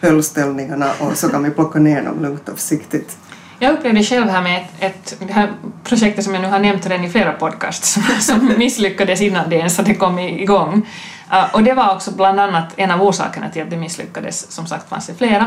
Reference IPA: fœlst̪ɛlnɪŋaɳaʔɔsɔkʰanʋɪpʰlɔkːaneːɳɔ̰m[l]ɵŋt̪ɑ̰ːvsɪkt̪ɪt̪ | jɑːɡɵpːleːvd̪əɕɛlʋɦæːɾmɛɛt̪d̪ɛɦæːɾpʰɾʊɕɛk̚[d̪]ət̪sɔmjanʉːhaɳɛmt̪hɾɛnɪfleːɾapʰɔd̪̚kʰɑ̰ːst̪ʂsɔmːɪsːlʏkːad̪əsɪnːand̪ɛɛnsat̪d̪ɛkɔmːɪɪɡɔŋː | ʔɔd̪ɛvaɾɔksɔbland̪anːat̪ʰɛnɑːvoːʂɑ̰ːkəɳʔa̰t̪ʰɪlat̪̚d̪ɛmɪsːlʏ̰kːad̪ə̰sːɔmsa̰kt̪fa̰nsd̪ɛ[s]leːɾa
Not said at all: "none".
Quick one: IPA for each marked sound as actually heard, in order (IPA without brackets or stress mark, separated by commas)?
l, t̪, f